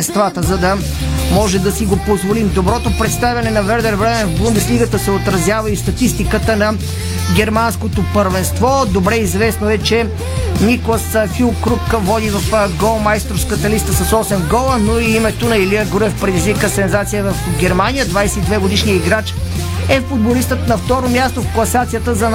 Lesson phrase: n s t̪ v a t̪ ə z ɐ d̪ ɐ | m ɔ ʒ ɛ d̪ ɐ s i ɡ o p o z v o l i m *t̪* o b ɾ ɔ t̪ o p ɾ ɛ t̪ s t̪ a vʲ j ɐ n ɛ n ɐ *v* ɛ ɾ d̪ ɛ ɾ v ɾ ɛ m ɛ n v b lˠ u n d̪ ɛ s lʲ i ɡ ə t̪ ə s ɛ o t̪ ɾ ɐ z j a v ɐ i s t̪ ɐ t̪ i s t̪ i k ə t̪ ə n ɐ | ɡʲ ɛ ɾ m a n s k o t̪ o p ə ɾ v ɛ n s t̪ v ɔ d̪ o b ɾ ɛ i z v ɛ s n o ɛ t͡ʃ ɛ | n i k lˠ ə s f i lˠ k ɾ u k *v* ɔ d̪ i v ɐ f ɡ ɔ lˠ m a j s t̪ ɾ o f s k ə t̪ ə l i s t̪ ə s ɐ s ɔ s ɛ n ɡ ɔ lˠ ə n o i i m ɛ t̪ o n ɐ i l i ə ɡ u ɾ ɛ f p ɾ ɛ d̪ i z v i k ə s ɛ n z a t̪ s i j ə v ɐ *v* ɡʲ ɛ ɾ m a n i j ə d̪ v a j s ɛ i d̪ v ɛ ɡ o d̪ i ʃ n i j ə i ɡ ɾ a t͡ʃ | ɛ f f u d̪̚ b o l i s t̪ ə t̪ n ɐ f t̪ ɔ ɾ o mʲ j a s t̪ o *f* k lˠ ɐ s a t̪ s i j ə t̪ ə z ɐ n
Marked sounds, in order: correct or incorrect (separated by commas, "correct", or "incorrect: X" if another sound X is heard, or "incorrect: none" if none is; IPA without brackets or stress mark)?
incorrect: d̪, correct, correct, incorrect: f, correct